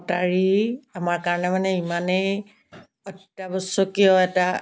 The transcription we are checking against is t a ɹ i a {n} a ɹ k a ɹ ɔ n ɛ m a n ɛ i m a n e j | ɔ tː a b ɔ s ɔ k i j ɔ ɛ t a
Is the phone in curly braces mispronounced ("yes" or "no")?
yes